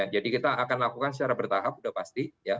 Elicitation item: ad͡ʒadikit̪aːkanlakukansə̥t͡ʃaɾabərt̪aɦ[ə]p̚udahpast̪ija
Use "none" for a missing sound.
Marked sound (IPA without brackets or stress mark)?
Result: a